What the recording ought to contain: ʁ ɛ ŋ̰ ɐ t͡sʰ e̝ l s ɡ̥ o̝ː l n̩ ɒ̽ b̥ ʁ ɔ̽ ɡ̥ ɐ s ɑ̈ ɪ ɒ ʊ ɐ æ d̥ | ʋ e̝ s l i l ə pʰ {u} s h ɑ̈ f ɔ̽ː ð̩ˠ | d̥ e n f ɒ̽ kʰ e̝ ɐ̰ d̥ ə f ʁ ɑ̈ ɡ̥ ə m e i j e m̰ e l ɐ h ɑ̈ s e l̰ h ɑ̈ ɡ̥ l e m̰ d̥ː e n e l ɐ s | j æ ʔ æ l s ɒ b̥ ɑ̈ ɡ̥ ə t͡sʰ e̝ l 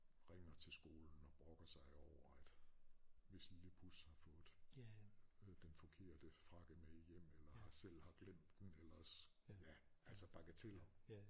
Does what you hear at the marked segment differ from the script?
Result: no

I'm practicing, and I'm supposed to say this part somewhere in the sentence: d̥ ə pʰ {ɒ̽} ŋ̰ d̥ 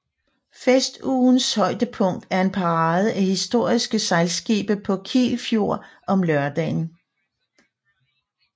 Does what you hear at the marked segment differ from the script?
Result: yes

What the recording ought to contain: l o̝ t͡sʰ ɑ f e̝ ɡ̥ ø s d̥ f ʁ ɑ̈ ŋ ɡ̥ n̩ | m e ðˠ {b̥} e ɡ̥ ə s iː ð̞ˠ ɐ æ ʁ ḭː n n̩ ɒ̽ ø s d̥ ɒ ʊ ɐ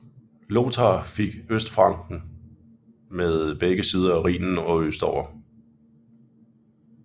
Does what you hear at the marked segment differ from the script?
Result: no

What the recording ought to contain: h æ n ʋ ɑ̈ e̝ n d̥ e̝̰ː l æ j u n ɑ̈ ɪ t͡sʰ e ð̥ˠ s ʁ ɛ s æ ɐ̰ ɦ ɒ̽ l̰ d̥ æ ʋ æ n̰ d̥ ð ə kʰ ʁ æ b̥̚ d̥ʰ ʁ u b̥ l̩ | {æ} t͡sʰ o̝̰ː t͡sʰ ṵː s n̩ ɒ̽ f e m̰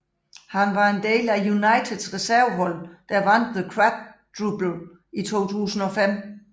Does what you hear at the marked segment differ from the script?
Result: yes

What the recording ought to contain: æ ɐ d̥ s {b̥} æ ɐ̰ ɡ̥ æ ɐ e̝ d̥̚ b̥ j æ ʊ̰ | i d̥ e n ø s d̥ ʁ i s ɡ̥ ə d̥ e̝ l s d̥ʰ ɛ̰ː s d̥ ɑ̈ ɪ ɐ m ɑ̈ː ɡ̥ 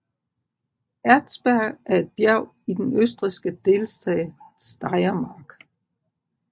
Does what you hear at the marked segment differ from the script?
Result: no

